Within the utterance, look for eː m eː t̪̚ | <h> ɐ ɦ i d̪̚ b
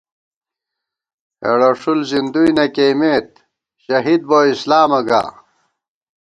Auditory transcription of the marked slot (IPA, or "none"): ɕ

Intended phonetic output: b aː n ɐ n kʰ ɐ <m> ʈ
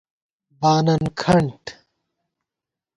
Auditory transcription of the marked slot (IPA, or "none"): ɳ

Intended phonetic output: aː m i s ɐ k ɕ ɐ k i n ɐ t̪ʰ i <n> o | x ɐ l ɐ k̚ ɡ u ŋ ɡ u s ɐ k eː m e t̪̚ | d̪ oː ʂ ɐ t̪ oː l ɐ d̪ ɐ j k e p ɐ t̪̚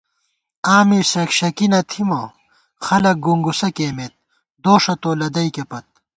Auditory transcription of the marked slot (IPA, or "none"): m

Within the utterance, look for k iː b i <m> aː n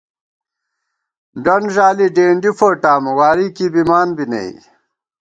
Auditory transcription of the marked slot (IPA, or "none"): m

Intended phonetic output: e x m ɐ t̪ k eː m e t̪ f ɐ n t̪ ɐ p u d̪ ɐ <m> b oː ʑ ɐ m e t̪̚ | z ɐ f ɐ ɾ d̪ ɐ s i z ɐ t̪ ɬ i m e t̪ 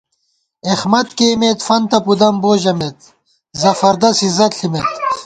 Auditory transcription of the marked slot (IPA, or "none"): m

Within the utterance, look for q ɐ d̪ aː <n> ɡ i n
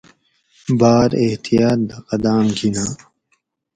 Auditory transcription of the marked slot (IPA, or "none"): m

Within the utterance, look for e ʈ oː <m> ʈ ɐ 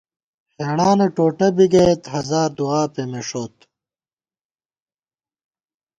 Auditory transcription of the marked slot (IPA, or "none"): none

